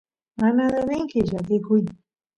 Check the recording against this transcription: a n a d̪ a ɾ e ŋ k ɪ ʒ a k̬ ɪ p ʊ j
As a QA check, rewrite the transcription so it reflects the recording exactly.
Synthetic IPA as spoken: a n a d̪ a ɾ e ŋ k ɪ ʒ a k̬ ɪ k ʊ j